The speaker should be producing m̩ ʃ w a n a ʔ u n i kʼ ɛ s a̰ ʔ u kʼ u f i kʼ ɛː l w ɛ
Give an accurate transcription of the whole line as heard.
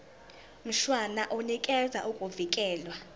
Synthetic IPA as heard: m̩ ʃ w a n a ʔ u n i kʼ ɛ z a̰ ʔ u kʼ u v i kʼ ɛː l w a